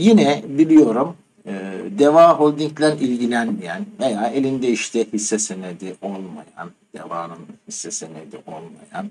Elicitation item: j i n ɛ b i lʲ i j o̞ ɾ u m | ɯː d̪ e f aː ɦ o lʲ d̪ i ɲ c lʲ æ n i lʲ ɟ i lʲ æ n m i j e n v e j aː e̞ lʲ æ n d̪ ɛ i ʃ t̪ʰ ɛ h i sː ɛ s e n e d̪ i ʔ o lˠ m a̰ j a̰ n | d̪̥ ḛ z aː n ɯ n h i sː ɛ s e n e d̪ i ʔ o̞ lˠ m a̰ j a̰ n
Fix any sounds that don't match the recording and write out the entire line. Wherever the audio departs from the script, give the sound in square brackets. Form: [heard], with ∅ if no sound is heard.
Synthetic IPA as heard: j i n ɛ b i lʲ i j o̞ ɾ u m | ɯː d̪ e [v] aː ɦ o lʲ d̪ i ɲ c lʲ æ n i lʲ ɟ i lʲ æ n m i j [æ] n v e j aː e̞ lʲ [i] n d̪ ɛ i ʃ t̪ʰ ɛ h i sː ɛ s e n e d̪ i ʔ o lˠ m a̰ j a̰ n | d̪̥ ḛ [v] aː n ɯ n h i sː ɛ s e n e d̪ i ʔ o̞ lˠ m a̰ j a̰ n